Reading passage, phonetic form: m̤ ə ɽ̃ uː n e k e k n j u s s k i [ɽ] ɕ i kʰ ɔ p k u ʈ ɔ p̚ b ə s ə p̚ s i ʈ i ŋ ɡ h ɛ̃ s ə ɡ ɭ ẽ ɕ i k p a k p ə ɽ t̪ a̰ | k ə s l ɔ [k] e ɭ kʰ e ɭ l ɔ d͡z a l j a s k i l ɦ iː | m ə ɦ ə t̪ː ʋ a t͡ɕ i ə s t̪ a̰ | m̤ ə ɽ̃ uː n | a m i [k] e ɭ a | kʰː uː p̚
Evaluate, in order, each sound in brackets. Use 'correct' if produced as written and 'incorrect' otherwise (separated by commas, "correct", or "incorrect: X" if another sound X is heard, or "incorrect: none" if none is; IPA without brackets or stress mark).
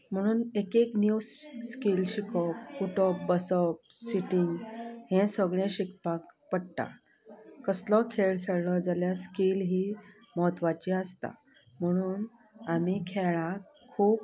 incorrect: l, incorrect: kʰ, incorrect: kʰ